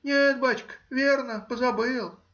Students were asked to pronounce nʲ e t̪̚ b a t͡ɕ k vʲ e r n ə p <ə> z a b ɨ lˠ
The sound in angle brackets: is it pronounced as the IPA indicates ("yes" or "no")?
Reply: yes